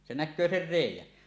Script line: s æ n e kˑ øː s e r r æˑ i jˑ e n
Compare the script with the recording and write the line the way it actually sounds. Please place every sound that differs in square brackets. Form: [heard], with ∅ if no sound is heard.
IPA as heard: s [e] n [æ] kˑ øː s e r r [eˑ] i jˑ [æ] n